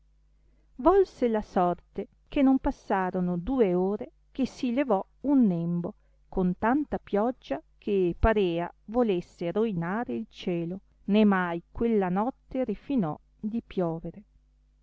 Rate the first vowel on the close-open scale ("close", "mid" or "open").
mid